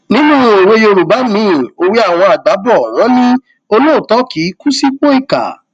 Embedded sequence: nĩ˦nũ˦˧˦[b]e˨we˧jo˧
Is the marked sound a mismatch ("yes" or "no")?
yes